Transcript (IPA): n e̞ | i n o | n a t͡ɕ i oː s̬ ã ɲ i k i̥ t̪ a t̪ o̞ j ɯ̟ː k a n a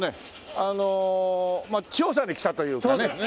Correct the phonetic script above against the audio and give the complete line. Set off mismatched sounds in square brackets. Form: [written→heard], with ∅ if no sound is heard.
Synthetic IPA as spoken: n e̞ | [i→a] n o | [n→m] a t͡ɕ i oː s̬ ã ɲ i k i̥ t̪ a t̪ o̞ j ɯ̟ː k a n [a→e]